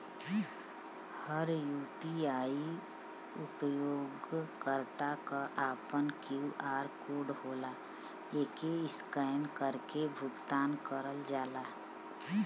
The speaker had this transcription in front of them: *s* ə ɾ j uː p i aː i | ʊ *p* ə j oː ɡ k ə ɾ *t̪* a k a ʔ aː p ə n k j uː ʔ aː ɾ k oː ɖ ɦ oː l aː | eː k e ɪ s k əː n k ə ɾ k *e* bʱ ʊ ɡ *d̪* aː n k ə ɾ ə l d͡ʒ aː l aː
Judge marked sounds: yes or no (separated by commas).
no, yes, yes, yes, no